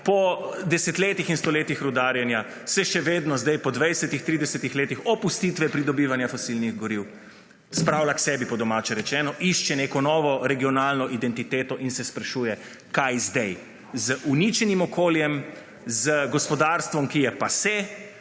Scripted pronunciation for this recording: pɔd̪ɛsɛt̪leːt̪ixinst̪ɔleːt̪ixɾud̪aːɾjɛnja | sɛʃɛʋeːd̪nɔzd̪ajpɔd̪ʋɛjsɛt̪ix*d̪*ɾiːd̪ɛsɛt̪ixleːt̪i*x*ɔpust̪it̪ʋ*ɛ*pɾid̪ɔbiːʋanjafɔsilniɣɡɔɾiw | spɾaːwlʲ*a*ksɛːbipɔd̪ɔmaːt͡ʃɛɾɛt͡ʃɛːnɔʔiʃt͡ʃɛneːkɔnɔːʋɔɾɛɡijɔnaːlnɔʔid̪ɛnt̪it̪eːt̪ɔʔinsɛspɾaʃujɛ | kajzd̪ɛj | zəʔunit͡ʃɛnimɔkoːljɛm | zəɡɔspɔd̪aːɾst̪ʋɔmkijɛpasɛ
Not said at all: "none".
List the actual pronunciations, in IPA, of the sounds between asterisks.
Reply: t̪, x, ɛ, a

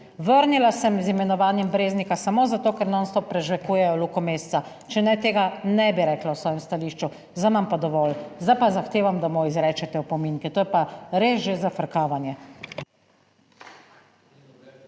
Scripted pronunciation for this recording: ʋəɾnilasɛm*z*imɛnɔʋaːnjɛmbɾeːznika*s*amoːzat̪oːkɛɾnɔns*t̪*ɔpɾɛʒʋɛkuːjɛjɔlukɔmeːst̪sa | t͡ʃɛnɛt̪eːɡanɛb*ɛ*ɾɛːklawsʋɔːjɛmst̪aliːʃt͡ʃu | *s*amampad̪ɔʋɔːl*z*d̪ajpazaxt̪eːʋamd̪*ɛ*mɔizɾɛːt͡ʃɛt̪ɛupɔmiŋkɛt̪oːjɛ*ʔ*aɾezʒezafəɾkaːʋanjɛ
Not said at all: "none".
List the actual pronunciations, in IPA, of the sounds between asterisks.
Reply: z, s, t̪, i, z, z, a, p

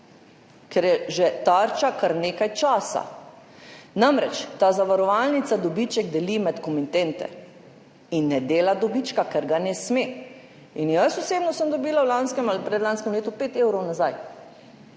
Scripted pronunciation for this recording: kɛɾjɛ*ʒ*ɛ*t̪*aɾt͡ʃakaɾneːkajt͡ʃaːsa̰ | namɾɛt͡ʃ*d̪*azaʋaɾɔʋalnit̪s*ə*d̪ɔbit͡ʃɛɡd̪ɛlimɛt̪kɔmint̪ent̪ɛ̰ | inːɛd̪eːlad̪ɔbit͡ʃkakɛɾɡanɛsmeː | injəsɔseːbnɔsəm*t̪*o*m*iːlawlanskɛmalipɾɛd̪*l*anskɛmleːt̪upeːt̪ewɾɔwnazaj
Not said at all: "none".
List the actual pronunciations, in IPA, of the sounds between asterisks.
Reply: ʒ, t̪, t̪, a, d̪, b, l

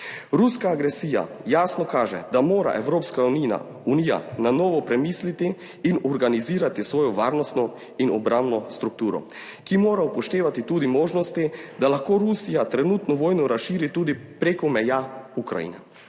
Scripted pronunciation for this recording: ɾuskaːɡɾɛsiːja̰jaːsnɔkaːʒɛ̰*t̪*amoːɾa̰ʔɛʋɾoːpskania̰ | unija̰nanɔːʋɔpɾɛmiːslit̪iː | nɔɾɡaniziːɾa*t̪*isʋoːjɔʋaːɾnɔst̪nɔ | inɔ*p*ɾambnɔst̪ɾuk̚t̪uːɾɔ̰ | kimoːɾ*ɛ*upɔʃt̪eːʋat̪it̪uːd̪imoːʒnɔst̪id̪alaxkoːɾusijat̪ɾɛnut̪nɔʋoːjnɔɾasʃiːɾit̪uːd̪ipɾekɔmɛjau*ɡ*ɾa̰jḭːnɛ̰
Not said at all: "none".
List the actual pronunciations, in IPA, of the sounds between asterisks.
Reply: d̪, t̪, b, a, k

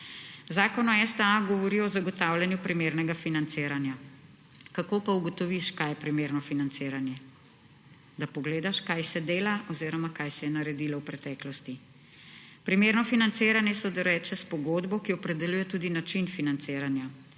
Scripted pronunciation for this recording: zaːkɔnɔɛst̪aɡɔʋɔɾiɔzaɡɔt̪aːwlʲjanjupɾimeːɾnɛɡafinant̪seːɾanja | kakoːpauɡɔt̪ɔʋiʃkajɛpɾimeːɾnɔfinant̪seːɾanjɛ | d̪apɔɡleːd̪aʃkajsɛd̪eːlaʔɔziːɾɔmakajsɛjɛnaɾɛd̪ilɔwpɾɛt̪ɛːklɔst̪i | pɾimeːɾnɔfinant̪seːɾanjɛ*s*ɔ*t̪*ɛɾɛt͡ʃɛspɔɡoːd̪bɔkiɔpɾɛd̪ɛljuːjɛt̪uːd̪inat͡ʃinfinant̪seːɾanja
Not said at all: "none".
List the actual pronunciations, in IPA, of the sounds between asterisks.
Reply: s, d̪

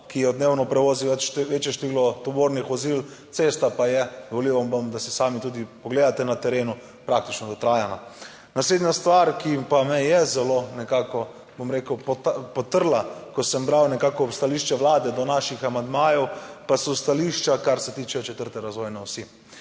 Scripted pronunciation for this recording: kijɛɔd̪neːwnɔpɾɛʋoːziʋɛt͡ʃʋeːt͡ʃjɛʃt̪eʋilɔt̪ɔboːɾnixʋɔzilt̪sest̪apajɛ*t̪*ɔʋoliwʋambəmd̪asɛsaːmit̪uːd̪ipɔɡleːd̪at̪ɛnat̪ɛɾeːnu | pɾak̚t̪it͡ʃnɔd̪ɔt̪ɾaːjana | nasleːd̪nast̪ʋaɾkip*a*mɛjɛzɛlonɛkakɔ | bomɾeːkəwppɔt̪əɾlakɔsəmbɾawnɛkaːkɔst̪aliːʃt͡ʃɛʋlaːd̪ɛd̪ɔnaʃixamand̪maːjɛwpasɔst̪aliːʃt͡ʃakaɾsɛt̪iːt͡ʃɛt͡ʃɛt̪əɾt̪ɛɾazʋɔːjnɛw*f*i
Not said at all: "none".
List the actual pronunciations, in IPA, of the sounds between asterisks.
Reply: d̪, a, s

